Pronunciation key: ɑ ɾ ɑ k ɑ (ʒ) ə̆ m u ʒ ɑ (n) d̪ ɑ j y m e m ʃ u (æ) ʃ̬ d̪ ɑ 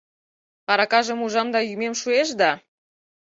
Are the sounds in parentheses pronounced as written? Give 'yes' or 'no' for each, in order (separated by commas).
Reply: yes, no, no